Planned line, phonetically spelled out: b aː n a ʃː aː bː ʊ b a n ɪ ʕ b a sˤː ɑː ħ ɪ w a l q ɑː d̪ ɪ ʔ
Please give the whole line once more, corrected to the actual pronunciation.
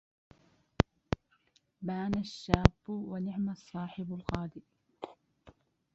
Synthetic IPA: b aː n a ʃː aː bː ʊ w a n ɪ ʕ m a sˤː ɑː ħ ɪ b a l q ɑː d̪ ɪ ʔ